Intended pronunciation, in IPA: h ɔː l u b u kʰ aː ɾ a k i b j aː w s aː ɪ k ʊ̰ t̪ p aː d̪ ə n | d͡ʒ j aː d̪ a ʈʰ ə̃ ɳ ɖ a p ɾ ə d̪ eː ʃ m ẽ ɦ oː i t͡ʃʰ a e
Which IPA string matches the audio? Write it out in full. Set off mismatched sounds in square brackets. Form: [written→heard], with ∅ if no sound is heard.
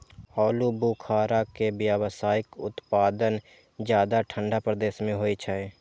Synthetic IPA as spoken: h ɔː l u b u kʰ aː ɾ a k [i→e] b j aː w s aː ɪ k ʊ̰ t̪ p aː d̪ ə n | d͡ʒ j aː d̪ a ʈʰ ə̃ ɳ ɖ a p ɾ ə d̪ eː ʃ m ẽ ɦ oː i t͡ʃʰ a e